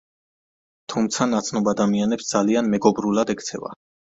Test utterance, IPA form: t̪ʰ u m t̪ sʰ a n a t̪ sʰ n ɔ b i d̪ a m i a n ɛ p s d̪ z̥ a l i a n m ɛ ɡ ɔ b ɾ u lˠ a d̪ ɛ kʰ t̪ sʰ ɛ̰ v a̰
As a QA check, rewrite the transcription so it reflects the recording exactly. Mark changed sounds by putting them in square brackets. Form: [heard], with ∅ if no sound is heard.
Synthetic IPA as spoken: t̪ʰ u m t̪ sʰ a n a t̪ sʰ n ɔ b [a] d̪ a m i a n ɛ p s d̪ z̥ a l i a n m ɛ ɡ ɔ b ɾ u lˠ a d̪ ɛ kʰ t̪ sʰ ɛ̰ v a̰